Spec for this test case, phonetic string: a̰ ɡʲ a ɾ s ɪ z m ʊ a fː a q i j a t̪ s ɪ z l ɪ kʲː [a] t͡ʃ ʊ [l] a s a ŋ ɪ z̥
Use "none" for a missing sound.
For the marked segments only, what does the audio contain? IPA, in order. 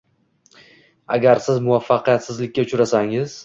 a, ɾ

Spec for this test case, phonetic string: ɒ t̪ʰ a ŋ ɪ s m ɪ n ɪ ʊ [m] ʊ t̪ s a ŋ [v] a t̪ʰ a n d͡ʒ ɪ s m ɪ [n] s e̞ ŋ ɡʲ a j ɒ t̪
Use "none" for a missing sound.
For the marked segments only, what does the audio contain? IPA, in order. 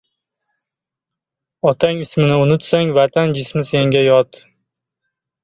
n, v, none

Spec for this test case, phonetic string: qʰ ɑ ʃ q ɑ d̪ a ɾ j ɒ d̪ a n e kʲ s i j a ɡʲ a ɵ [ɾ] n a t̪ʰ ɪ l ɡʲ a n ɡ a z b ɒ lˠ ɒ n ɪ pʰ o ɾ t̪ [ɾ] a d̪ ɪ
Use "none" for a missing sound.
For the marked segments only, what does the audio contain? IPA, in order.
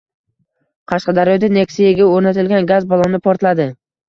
ɾ, l

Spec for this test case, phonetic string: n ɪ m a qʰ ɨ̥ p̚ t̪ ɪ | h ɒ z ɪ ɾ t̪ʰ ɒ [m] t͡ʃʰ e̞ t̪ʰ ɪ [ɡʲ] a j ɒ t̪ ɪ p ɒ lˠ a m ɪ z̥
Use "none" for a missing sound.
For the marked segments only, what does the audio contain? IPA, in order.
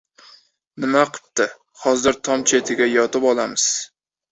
m, ɡʲ

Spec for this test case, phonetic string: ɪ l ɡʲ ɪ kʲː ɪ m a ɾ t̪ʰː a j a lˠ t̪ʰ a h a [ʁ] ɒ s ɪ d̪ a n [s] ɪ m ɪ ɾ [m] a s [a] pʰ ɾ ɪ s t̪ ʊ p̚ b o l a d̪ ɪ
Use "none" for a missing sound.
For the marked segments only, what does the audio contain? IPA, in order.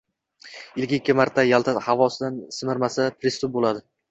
v, s, m, a

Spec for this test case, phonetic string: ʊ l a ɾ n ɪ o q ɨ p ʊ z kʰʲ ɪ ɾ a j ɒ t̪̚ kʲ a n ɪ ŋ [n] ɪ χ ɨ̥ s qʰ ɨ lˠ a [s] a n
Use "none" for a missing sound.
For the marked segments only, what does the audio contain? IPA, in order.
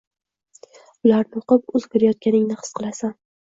n, s

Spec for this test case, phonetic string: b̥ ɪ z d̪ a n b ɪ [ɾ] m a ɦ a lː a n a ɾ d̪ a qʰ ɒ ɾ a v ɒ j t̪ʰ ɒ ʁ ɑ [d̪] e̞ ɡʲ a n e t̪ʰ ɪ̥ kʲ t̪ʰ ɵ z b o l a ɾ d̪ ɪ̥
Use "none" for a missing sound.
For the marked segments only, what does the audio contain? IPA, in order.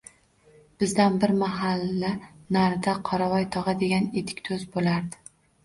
ɾ, d̪

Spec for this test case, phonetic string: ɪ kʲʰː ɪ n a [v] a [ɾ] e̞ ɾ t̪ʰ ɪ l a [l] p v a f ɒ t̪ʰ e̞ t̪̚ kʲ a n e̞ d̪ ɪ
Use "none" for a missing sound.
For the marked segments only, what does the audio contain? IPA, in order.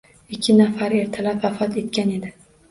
f, ɾ, none

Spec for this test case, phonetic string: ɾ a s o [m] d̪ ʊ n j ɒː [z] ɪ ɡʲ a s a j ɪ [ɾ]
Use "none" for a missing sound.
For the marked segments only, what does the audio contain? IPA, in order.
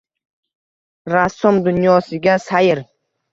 m, s, ɾ

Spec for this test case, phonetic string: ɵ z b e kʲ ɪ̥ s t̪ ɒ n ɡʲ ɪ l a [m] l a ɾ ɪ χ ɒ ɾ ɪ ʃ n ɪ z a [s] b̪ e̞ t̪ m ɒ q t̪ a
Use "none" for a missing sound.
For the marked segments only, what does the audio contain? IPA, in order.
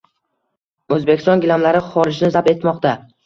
m, none

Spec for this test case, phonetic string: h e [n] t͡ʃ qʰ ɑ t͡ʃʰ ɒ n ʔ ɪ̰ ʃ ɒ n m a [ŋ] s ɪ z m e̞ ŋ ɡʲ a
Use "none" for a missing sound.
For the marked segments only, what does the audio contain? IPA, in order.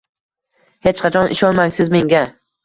none, ŋ

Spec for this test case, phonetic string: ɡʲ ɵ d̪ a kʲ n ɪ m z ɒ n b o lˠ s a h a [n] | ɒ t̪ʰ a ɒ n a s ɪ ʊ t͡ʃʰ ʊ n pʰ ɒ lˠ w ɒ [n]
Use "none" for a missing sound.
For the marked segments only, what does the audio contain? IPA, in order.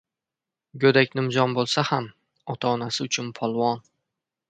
m, n

